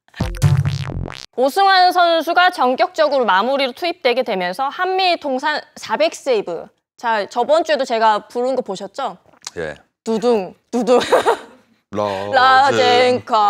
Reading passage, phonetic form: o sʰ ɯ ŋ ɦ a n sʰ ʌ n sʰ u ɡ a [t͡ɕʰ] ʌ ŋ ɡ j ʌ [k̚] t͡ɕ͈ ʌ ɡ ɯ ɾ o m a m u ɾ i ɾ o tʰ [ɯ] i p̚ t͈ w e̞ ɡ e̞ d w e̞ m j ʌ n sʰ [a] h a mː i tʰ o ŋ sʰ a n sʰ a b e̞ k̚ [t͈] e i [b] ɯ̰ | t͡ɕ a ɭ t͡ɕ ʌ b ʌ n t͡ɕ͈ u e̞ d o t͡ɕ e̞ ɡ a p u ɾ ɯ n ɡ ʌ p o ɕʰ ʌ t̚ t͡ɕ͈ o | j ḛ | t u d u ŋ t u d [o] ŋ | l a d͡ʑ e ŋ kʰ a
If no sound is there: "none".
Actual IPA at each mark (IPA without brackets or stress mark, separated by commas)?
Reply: t͡ɕ, k̚, u, ʌ, s͈, b, u